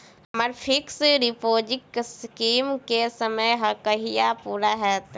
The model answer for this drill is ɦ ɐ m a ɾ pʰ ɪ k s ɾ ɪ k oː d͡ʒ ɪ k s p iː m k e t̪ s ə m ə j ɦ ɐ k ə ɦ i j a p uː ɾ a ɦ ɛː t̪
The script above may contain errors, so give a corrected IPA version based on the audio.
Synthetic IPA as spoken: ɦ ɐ m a ɾ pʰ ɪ k s ɾ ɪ p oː d͡ʒ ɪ k s k iː m k e s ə m ə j ɦ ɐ k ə ɦ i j a p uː ɾ a ɦ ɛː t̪